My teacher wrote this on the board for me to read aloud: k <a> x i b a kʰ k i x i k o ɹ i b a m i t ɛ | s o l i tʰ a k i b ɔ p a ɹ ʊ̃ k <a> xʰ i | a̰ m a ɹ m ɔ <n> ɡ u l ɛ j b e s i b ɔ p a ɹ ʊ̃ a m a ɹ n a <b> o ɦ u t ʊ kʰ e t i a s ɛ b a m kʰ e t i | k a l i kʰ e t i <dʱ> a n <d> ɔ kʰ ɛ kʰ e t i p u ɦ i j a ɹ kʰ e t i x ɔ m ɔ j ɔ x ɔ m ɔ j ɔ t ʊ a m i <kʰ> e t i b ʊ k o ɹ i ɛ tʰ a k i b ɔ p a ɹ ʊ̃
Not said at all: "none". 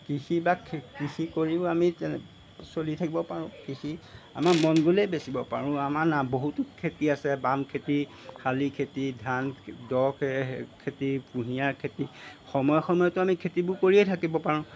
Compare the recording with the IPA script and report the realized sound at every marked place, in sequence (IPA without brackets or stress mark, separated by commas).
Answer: i, i, n, b, dʱ, d, kʰ